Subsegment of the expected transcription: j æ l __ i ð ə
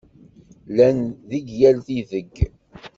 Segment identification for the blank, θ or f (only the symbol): θ